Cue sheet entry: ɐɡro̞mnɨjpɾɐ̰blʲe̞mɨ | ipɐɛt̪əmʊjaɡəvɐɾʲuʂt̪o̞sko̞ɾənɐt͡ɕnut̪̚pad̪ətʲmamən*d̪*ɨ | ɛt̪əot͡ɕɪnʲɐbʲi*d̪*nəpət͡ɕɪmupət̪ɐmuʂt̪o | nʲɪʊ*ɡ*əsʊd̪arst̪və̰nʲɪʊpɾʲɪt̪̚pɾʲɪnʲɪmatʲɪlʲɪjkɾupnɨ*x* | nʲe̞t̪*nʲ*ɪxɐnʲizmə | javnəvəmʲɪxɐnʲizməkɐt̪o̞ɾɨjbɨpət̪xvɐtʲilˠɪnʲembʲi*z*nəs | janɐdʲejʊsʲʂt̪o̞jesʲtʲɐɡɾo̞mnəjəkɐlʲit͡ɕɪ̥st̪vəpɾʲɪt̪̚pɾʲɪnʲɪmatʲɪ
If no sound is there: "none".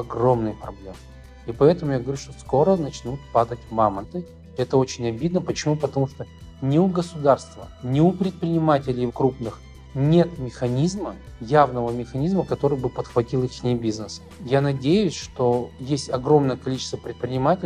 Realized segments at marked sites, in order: t̪, d̪, ɡ, x, mʲ, z

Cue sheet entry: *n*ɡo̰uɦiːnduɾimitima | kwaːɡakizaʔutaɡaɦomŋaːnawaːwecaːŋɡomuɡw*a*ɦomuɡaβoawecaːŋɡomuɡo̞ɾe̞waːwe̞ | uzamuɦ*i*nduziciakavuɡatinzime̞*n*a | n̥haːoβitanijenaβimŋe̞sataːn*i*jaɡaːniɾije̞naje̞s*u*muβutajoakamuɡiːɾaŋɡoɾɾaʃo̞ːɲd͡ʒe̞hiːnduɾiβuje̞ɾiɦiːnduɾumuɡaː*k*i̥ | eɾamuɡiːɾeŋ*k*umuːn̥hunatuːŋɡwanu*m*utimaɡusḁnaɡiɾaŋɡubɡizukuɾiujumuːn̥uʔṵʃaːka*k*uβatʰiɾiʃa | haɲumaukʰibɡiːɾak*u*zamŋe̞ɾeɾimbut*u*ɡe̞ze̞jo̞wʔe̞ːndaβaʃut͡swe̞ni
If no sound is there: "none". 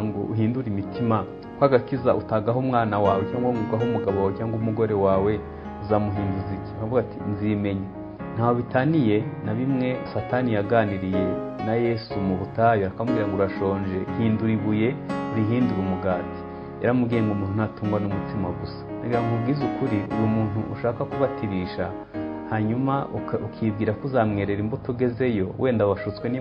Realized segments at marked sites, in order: ŋ, a, iː, ɲ, i, u, t, ɡ, m, k, u, u

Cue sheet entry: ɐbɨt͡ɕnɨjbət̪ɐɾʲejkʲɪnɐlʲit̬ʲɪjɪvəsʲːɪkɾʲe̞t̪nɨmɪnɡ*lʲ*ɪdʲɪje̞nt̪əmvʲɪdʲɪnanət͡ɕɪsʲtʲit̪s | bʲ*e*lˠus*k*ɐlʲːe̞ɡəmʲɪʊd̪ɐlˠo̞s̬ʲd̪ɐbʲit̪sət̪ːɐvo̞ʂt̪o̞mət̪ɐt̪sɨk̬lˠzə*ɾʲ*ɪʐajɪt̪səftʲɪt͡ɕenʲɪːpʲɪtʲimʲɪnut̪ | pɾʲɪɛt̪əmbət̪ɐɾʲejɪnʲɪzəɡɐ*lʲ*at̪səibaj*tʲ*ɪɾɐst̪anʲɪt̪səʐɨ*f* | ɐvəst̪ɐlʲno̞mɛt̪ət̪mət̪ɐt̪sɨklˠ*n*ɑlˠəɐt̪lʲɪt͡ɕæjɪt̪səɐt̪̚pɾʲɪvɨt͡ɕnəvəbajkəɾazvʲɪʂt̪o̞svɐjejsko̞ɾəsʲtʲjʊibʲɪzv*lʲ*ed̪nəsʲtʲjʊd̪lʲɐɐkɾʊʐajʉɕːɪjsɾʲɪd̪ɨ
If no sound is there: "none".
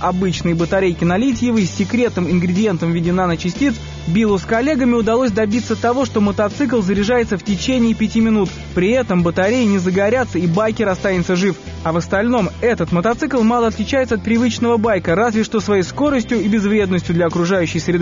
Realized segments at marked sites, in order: ɾʲ, i, k, ɾʲ, ɾʲ, kʲ, f, m, ɾʲ

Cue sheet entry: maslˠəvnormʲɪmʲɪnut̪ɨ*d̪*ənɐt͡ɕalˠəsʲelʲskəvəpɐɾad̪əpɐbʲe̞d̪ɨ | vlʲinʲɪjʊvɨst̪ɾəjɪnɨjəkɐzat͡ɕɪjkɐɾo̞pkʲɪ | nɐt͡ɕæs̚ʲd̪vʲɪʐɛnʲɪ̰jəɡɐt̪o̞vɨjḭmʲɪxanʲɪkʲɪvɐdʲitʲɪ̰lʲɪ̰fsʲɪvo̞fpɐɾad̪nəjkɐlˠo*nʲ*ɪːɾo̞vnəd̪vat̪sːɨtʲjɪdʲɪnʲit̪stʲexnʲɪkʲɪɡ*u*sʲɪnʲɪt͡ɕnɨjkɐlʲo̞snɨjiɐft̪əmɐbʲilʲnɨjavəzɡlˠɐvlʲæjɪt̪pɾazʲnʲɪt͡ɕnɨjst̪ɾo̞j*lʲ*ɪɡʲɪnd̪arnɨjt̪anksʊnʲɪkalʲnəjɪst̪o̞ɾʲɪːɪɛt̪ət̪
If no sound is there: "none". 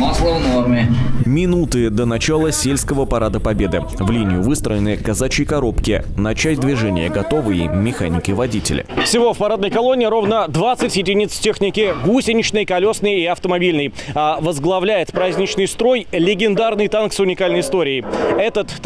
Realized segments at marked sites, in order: d̪, nʲ, u, lʲ

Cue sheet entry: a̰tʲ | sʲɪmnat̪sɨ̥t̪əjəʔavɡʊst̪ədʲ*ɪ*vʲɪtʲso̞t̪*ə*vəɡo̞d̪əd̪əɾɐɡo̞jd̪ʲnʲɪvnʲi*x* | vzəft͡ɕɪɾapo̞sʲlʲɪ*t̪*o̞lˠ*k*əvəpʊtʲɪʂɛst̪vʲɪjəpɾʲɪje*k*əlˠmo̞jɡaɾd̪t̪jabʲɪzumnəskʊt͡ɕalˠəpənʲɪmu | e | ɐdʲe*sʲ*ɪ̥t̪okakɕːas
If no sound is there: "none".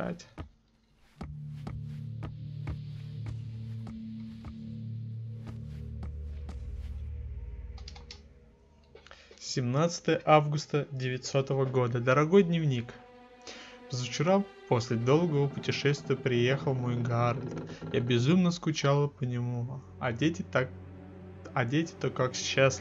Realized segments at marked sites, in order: ɪ, ə, k, d̪, ɡ, x, tʲ

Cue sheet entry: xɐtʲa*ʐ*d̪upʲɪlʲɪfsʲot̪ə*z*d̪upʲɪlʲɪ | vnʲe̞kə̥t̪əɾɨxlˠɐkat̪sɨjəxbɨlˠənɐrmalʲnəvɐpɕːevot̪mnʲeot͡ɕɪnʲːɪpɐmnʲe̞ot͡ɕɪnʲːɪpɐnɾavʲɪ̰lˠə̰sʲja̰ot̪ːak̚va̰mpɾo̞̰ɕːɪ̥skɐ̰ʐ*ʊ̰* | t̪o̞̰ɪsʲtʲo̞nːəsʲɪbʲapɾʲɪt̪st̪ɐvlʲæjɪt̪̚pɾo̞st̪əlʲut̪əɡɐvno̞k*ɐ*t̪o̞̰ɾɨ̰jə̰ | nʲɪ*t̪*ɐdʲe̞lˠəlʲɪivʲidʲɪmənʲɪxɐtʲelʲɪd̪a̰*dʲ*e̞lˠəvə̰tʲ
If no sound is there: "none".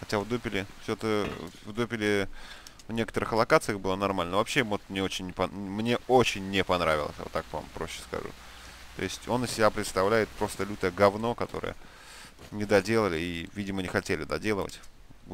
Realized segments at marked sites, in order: v, v, ṵ, ɐ, d̪, dʲ

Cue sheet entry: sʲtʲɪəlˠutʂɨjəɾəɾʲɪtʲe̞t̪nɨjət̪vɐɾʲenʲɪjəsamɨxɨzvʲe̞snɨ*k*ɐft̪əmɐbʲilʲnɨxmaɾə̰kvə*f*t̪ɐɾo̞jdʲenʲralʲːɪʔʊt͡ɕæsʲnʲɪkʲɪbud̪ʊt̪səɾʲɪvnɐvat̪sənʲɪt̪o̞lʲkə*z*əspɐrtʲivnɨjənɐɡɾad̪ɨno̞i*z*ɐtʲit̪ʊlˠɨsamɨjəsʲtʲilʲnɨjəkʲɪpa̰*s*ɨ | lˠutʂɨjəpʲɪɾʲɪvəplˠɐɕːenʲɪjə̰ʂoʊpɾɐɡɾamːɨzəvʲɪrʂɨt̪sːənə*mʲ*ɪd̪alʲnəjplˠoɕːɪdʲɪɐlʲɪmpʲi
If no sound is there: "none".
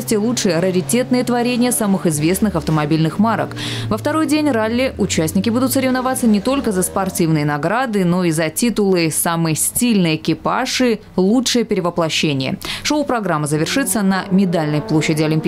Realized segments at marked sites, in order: x, f, z, z, ʂ, mʲ

